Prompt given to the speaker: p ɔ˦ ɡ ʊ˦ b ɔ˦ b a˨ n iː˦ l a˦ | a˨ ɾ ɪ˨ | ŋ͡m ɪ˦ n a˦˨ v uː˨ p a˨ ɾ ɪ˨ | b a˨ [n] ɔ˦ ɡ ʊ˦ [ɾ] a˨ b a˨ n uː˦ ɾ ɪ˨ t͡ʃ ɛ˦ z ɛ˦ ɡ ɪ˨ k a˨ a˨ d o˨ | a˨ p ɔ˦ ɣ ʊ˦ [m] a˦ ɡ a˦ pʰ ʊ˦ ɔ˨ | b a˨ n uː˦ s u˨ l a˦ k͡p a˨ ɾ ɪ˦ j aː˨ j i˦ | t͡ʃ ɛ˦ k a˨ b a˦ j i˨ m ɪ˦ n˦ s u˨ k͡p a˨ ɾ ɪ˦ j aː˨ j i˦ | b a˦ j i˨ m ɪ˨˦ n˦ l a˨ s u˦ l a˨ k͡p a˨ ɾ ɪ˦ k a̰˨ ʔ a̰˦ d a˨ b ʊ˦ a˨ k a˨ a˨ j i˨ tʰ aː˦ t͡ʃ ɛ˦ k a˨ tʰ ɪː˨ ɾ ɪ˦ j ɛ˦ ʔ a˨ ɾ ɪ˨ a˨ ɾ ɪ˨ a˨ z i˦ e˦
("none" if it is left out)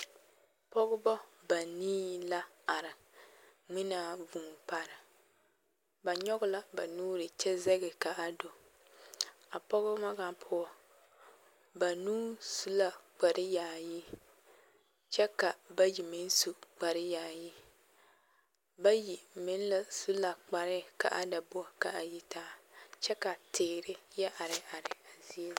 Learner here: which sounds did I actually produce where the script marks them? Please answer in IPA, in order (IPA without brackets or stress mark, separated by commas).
ɲ, l, m